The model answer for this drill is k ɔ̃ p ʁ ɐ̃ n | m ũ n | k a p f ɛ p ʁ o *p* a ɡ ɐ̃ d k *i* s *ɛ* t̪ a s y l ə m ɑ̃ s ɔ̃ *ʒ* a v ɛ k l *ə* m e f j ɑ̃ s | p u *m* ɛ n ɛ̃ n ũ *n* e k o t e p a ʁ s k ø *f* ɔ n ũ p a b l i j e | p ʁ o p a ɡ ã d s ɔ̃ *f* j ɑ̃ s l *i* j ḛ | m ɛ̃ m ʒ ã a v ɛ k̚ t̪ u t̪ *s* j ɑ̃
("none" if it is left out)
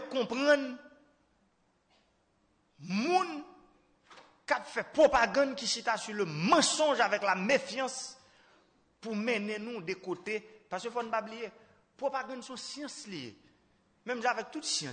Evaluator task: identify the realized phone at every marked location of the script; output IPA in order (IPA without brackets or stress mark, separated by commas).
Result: p, i, i, ʒ, a, m, d, f, s, i, s